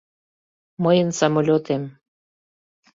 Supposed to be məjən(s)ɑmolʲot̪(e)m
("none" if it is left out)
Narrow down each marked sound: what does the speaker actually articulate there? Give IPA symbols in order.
s, e

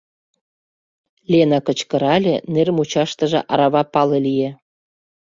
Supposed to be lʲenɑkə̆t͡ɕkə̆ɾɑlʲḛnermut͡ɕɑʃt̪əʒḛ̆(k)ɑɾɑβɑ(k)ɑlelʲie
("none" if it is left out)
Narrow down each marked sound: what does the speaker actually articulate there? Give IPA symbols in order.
ʔ, p

